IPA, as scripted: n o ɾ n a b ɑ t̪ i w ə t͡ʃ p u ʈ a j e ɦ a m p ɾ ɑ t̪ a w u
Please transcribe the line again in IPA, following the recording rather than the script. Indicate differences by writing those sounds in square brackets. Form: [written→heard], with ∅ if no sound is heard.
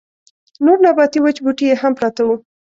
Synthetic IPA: n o ɾ n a b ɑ t̪ i w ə t͡ʃ [p→b] u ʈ [a→i] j e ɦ a m p ɾ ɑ t̪ a w u